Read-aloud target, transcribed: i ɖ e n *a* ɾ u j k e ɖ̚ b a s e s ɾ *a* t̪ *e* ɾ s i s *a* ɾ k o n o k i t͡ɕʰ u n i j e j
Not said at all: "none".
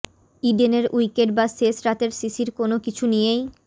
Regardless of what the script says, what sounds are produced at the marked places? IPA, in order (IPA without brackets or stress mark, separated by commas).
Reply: e, a, e, i